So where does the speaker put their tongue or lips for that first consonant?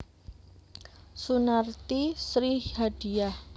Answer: tongue tip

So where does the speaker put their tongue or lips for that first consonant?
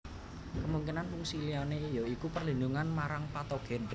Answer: velum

